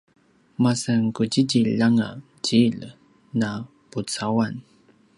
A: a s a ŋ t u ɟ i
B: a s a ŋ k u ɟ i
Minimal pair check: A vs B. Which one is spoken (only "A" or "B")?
B